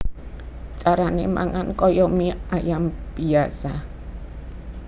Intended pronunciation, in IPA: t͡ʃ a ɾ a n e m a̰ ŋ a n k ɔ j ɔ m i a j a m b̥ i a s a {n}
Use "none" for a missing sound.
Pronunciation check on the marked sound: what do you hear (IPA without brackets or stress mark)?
none